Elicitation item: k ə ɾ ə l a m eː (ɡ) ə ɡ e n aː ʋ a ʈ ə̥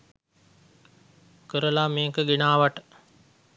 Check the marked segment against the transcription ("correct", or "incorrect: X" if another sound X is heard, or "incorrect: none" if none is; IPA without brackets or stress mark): incorrect: k